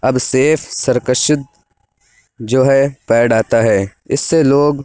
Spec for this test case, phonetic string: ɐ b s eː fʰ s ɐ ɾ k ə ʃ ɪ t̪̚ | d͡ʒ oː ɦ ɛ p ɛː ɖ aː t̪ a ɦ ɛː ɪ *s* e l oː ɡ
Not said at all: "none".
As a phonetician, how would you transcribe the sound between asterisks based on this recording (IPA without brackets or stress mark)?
sː